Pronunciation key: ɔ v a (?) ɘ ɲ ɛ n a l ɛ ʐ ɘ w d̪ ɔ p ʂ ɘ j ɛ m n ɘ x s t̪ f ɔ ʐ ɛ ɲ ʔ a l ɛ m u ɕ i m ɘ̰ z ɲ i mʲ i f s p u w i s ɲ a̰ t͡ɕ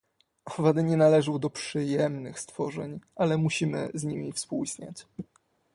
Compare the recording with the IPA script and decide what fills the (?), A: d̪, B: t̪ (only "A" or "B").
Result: A